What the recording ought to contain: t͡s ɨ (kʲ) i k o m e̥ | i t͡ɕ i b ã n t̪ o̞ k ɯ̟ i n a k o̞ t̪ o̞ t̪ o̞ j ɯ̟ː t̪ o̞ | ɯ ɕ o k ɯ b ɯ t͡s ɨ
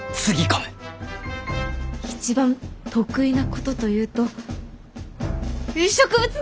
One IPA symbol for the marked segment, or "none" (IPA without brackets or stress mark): ɡʲ